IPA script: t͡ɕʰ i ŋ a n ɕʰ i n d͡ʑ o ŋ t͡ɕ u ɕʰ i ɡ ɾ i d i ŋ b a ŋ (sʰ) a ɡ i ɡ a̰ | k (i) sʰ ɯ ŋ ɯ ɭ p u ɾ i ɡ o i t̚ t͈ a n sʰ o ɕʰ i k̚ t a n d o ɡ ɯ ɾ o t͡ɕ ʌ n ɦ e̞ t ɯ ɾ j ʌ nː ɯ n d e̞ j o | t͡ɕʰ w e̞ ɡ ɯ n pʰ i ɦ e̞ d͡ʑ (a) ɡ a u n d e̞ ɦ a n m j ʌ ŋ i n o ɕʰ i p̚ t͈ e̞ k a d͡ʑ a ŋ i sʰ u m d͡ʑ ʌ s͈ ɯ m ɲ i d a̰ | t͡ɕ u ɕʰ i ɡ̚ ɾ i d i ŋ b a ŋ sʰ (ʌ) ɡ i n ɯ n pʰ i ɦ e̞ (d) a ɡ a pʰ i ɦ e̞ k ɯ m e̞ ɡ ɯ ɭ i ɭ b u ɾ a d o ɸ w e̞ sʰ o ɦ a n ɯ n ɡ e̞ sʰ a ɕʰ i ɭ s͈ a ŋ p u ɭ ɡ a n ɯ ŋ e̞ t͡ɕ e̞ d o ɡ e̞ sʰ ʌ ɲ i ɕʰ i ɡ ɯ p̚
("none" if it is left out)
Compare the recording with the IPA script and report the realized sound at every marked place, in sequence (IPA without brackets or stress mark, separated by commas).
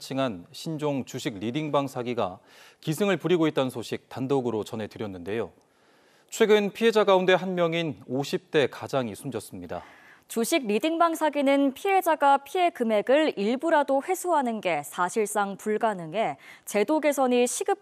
sʰ, i, a, a, d͡ʑ